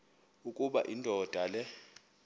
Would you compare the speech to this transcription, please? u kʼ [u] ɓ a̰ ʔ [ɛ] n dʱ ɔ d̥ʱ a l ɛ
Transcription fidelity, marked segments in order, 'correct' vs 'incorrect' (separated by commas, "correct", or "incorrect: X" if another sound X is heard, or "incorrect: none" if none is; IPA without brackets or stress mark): correct, incorrect: i